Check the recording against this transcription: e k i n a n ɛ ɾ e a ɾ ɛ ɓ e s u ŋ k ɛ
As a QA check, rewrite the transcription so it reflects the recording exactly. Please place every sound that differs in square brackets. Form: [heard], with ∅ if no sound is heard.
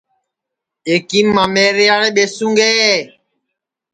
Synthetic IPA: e k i [m] a [m] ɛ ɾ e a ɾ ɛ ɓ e s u ŋ [ɡ] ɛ